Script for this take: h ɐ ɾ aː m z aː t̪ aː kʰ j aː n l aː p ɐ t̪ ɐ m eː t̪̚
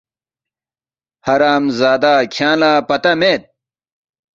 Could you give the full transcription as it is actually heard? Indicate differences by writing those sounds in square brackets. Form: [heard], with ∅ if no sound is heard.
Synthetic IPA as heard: h ɐ ɾ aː m z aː [d̪] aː kʰ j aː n l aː p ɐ t̪ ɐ m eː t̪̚